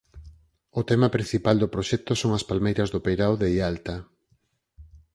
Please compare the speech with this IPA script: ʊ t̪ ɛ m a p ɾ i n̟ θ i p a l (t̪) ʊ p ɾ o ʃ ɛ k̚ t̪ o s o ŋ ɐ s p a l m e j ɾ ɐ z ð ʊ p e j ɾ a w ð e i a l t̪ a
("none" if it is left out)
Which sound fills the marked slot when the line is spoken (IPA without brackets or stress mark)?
d̪